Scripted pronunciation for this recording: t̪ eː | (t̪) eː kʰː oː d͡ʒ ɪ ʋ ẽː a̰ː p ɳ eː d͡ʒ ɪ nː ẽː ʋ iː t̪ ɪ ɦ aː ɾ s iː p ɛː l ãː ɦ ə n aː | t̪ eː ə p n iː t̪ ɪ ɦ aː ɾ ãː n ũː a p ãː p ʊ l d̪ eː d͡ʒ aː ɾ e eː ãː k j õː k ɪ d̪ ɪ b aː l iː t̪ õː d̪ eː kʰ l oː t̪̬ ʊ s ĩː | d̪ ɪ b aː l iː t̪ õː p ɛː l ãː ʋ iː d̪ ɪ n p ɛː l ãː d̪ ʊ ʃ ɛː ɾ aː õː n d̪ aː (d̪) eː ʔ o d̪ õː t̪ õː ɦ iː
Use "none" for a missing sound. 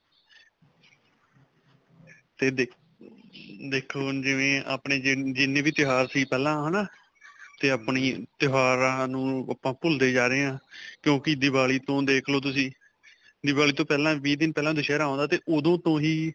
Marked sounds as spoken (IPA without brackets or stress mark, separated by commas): d̪, t̪